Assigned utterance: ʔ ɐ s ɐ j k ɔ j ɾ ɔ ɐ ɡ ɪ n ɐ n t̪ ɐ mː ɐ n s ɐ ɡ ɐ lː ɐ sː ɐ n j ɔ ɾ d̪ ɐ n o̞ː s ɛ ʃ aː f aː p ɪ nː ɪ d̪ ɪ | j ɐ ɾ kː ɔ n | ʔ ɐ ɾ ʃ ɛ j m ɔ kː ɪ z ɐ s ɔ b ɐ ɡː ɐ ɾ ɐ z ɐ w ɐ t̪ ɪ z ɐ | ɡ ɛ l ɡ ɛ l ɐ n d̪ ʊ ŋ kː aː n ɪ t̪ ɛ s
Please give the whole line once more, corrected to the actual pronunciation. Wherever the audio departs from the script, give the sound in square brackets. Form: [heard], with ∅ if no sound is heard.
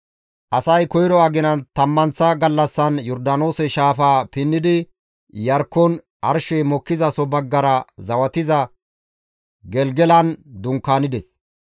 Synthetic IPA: ʔ ɐ s ɐ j k ɔ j ɾ ɔ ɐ ɡ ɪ n ɐ n t̪ ɐ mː ɐ n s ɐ ɡ ɐ lː ɐ sː ɐ n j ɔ ɾ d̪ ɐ n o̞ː s ɛ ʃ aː f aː p ɪ nː ɪ d̪ ɪ | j ɐ ɾ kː ɔ n | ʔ ɐ ɾ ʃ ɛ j m ɔ kː ɪ z ɐ s ɔ b ɐ ɡː ɐ ɾ ɐ z ɐ w ɐ t̪ ɪ z ɐ | ɡ ɛ l ɡ ɛ l ɐ n d̪ ʊ ŋ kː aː n ɪ [d̪] ɛ s